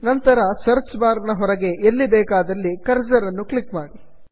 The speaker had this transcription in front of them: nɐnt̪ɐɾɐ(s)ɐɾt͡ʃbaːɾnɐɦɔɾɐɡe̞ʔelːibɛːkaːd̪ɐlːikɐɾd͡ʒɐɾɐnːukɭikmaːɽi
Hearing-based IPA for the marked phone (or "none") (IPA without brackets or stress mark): s